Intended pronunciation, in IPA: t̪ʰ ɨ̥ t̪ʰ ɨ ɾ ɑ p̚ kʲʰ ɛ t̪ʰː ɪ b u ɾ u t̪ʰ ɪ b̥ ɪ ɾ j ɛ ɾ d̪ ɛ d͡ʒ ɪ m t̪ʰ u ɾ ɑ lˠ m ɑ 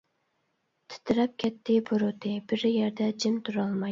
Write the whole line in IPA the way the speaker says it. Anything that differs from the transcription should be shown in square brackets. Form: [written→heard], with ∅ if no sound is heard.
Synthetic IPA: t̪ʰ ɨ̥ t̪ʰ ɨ ɾ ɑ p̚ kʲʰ ɛ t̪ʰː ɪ b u ɾ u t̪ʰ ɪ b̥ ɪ ɾ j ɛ ɾ d̪ ɛ d͡ʒ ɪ m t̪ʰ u ɾ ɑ lˠ m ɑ